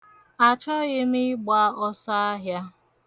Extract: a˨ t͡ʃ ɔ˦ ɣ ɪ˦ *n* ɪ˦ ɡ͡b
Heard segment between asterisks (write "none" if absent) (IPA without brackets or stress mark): m